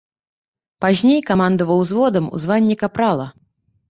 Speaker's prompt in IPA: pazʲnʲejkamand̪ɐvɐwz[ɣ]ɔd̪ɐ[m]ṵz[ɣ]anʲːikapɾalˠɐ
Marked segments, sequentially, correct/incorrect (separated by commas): incorrect, correct, incorrect